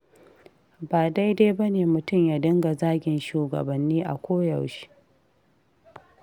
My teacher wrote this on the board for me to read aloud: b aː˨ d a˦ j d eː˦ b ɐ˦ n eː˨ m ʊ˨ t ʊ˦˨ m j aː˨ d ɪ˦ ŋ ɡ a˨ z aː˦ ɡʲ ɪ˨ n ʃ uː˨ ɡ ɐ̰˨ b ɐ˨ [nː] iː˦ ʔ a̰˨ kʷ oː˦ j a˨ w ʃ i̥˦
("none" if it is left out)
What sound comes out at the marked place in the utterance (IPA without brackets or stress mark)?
nː